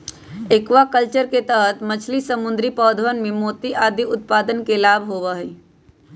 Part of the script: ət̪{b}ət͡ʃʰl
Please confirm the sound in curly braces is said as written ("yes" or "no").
no